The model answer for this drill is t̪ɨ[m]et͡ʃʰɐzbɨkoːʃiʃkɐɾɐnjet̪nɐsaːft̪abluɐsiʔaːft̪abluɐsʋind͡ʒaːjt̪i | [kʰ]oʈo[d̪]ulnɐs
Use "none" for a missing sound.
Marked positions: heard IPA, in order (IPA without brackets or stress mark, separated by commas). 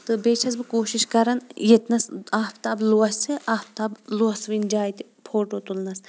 b, pʰ, t̪